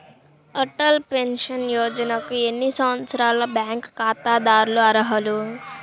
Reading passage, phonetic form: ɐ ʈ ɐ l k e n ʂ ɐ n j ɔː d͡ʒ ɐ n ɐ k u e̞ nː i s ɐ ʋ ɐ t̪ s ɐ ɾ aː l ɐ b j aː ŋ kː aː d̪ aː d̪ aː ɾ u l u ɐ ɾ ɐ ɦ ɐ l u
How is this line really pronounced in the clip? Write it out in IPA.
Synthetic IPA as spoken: ɐ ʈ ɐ l p e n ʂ ɐ n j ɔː d͡ʒ ɐ n ɐ k u e̞ nː i s ɐ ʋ ɐ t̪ s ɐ ɾ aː l ɐ b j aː ŋ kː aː t̪ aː d̪ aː ɾ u l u ɐ ɾ ɐ ɦ ɐ l u